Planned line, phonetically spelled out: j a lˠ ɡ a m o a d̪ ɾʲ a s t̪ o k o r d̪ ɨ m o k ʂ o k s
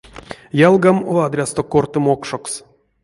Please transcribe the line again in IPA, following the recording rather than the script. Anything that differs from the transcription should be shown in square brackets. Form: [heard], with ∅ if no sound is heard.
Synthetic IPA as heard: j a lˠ ɡ a m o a d̪ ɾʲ a s t̪ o k o r [t̪] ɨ m o k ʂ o k s